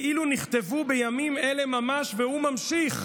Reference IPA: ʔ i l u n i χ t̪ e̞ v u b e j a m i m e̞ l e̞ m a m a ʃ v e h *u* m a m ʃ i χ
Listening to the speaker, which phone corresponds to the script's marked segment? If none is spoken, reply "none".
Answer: u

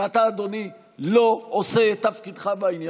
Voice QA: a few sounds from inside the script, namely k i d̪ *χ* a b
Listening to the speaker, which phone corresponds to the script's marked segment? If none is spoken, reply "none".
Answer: χ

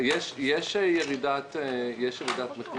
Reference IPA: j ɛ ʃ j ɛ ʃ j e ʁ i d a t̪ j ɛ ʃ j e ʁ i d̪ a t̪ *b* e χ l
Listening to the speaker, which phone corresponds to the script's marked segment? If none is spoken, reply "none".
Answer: m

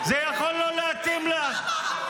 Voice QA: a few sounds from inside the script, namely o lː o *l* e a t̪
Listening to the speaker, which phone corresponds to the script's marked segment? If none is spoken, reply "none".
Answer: l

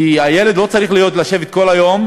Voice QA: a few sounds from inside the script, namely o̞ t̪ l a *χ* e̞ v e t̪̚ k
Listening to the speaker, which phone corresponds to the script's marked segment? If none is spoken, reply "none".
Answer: ʃ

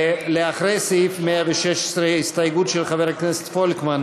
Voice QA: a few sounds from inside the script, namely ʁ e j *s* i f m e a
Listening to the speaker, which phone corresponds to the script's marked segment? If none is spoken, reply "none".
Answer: s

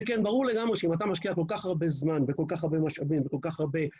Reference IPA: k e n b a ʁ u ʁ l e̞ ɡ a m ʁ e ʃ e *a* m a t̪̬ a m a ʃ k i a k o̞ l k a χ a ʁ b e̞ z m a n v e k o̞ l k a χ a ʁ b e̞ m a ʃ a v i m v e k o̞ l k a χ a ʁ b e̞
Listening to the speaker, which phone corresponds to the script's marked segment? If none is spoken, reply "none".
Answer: i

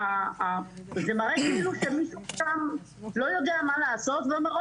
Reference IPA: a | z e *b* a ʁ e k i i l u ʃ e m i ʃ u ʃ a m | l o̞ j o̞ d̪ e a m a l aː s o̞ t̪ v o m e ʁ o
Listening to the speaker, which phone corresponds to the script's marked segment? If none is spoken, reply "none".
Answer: m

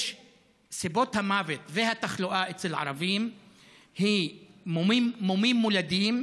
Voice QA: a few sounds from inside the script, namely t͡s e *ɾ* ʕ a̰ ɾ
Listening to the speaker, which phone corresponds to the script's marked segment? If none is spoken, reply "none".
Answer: l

